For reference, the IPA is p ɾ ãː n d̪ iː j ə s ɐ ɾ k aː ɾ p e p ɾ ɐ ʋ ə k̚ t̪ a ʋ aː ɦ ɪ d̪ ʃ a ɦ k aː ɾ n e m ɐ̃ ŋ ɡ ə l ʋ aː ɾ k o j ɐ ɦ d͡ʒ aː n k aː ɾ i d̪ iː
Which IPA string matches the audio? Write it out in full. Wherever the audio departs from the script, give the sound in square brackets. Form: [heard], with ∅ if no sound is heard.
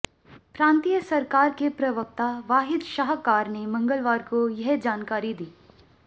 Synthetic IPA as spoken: p ɾ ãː n [t̪] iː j ə s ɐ ɾ k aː ɾ [k] e p ɾ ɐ ʋ ə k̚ t̪ a ʋ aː ɦ ɪ d̪ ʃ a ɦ k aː ɾ n e m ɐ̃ ŋ ɡ ə l ʋ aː ɾ k o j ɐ ɦ d͡ʒ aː n k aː ɾ i d̪ iː